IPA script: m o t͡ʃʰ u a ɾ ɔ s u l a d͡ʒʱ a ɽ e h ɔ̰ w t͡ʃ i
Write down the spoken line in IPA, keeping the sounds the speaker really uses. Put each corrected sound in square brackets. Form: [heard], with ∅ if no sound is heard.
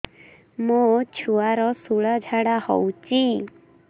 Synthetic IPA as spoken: m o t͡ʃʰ u a ɾ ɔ s u [ɭ] a d͡ʒʱ a ɽ [a] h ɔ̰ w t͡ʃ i